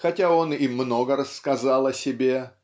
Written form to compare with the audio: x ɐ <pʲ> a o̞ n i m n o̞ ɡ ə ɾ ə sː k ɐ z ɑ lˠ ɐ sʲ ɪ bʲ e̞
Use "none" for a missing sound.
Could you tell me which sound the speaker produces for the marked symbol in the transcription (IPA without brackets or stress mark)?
tʲ